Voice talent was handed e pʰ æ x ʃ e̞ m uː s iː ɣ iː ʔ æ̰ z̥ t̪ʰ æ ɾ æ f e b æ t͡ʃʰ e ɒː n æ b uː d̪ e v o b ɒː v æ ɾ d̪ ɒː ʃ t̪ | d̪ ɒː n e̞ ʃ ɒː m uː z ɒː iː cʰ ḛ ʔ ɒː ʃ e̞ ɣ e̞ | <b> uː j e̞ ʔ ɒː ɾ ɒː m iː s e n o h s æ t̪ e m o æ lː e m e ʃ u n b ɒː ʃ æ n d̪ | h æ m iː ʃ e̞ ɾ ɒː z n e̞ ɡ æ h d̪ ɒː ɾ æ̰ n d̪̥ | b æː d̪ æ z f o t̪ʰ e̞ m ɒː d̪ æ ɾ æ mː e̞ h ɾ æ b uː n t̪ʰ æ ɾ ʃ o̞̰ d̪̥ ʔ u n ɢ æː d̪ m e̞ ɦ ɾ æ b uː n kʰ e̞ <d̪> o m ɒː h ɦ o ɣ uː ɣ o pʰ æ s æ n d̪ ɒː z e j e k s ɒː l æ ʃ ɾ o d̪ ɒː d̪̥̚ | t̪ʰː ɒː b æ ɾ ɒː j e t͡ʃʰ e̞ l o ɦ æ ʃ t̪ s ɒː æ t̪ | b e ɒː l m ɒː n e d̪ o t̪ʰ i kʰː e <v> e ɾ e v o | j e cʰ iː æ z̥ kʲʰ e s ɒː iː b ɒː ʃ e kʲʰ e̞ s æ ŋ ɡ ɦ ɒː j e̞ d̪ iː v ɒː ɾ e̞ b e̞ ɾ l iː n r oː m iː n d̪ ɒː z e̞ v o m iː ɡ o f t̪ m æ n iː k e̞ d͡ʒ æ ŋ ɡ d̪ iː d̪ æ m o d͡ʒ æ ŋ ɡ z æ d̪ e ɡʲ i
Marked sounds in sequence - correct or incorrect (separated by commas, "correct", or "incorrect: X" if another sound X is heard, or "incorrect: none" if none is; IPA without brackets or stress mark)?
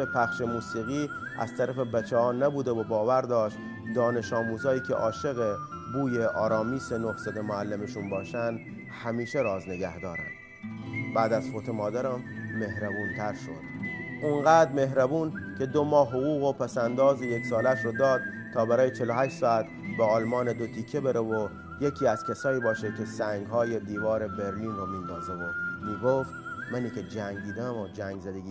correct, correct, incorrect: b